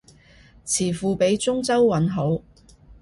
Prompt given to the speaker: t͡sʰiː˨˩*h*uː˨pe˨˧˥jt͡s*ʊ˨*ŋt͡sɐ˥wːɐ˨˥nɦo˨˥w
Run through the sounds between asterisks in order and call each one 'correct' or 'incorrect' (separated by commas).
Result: incorrect, incorrect